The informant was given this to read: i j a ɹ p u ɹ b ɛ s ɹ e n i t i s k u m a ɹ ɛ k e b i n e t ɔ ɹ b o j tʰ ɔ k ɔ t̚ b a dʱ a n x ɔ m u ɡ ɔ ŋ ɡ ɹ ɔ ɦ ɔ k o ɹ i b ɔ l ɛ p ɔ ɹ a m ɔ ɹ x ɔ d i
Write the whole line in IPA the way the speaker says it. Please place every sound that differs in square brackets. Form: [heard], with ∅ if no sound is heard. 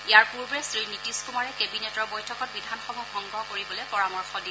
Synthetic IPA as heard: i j a ɹ p u ɹ b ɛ s ɹ [i] n i t i s k u m a ɹ ɛ k e b i n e t ɔ ɹ b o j tʰ ɔ k ɔ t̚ b [i] dʱ a n x ɔ m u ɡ ɔ ŋ ɡ ɹ ɔ ɦ ɔ k o ɹ i b ɔ l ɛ p ɔ ɹ a m ɔ ɹ x ɔ d i